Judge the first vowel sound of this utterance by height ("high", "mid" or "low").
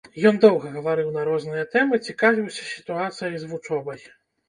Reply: mid